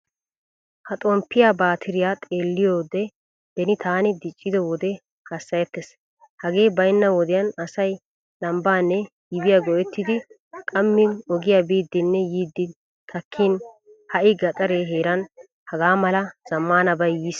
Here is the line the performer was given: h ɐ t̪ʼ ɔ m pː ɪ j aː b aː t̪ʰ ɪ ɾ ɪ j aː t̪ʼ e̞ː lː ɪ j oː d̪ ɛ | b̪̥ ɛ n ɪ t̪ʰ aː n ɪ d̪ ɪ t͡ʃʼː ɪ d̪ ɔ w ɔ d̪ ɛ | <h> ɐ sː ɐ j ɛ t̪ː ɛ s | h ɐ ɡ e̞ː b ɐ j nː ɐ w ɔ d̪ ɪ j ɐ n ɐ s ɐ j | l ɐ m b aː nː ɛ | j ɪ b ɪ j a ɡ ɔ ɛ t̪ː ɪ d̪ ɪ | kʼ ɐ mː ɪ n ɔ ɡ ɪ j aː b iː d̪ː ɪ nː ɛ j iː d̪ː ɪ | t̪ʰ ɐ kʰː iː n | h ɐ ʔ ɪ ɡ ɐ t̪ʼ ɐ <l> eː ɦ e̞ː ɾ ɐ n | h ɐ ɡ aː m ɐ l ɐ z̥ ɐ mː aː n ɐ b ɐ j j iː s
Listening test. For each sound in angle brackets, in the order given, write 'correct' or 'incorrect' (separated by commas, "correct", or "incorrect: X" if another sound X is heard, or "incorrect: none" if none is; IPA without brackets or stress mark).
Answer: correct, incorrect: ɾ